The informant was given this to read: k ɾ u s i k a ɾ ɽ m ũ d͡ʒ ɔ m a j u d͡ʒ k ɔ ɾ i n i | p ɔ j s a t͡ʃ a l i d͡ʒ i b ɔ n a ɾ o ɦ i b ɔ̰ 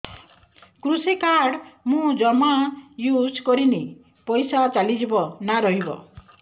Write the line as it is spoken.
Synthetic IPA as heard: k ɾ u s i k a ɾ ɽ m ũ d͡ʒ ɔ m a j u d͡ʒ k ɔ ɾ i n i | p ɔ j s a t͡ʃ a l i d͡ʒ i b ɔ n a ɾ ɔ ɦ i b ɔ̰